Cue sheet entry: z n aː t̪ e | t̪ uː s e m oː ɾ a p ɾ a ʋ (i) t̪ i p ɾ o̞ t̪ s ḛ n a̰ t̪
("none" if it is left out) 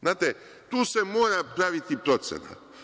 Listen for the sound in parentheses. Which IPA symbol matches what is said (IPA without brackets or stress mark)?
i